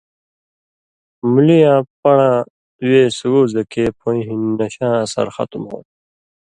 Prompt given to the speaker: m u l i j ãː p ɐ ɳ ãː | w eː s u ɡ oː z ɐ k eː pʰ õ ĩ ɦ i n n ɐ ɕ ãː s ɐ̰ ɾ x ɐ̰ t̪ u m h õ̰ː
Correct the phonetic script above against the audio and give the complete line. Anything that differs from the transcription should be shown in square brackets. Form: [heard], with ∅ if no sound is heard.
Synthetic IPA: m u l i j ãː p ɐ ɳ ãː | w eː s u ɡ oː z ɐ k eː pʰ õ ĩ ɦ i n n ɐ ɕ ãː s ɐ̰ ɾ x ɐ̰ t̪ u m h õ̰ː